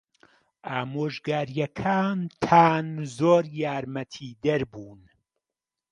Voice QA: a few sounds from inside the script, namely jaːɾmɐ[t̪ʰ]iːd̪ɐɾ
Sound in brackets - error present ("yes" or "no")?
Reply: no